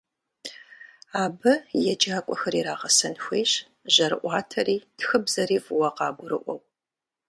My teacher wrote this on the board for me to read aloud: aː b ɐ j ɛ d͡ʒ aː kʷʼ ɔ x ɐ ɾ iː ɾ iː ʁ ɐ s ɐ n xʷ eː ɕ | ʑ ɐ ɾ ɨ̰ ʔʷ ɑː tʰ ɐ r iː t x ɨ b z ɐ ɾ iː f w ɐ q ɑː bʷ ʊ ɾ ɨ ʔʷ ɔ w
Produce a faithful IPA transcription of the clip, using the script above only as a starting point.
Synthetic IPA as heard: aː b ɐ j ɛ d͡ʒ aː kʷʼ ɔ x ɐ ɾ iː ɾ aː ʁ ɐ s ɐ n xʷ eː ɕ | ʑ ɐ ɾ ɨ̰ ʔʷ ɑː tʰ ɐ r iː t x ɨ b z ɐ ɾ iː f w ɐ q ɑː bʷ ʊ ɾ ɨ ʔʷ ɔ w